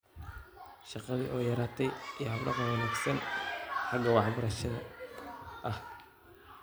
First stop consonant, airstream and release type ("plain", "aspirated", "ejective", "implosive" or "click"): plain